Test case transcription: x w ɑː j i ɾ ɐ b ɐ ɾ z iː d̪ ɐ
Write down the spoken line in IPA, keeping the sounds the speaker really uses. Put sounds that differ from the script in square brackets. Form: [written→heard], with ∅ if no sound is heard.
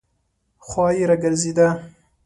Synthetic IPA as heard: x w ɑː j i ɾ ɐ [b→ɡ] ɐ ɾ z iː d̪ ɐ